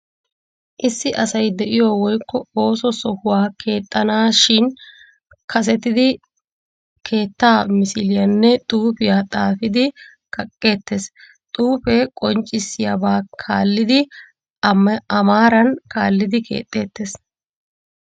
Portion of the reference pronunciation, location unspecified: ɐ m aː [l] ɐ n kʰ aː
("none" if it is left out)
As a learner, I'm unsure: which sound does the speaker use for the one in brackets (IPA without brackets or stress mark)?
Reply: ɾ